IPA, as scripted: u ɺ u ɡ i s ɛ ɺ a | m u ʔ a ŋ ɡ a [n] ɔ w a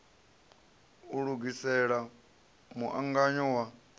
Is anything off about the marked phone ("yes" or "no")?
yes